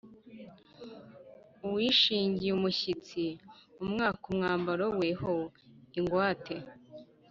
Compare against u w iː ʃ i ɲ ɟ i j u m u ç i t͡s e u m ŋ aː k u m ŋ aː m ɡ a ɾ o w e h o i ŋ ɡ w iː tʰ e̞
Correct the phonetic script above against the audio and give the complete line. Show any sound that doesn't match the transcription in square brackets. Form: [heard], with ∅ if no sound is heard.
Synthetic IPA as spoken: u w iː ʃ [iː] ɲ ɟ i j u m u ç i t͡s [i] u m ŋ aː k u m ŋ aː m [b] a ɾ o w e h o i ŋ ɡ w [aː] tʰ e̞